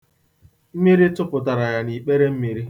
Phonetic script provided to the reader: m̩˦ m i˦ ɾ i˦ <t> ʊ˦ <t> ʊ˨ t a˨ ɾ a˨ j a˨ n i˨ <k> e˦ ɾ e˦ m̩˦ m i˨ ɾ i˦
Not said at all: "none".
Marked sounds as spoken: t, p, k͡p

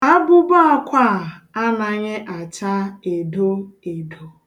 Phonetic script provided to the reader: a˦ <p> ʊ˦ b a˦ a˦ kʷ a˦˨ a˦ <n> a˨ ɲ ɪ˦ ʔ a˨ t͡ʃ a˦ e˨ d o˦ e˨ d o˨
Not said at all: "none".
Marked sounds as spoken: b, n

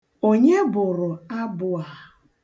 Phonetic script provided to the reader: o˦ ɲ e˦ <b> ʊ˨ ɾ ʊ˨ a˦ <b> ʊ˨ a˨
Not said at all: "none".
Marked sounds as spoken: b, b

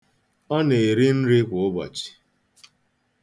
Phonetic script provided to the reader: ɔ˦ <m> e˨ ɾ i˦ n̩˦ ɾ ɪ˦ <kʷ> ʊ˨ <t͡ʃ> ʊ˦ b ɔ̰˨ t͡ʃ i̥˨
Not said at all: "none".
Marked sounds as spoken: n, kʷ, none

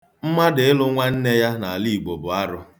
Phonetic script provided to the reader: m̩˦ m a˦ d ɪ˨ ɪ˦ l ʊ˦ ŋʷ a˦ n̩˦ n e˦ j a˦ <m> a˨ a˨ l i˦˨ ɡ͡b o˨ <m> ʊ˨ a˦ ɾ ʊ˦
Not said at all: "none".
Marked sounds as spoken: n, b

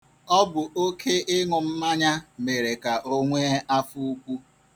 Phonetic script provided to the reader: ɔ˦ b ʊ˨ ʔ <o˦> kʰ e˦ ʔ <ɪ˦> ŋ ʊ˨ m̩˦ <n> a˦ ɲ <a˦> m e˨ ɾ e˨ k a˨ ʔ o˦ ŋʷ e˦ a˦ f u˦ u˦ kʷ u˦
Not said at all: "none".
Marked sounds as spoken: o˦, ɪ˦, m, a˦

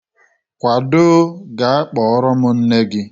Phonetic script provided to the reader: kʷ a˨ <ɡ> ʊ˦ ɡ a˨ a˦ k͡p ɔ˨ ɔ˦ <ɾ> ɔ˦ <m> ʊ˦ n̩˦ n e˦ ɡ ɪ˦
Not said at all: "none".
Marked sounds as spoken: d, ɾ, m

